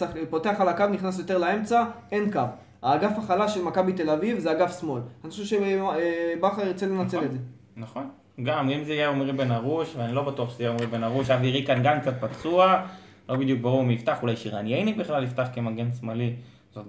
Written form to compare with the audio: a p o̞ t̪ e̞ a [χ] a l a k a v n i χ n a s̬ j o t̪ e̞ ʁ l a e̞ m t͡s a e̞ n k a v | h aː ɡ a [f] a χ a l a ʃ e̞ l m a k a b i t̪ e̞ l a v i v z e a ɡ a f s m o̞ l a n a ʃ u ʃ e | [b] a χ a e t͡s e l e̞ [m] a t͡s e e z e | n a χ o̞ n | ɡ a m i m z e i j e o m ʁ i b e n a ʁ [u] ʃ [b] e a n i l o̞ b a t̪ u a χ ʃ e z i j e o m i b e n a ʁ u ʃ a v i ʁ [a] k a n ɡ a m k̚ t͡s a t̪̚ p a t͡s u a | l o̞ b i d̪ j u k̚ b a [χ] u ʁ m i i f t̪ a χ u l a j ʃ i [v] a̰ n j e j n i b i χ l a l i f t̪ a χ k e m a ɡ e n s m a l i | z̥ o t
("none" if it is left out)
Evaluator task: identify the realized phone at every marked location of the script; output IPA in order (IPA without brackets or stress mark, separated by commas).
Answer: χ, f, b, n, u, v, i, ʁ, ʁ